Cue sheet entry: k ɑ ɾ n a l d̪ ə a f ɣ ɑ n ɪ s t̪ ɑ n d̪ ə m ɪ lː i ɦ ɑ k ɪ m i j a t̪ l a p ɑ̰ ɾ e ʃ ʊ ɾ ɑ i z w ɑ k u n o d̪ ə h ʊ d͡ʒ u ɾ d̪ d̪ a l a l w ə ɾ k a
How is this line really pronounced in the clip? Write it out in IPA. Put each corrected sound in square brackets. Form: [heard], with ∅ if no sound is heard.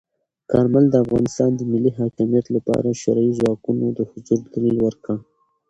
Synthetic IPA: k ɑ ɾ [m] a l d̪ ə a f ɣ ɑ n ɪ s t̪ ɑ n d̪ ə m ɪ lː i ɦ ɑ k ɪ m i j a t̪ l a p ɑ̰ ɾ [a] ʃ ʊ ɾ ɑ i z w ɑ k u n o d̪ ə h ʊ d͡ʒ u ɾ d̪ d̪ a l [i] l w ə ɾ k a